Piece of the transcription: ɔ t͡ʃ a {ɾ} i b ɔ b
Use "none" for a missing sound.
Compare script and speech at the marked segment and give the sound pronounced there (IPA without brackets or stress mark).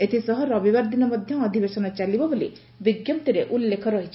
l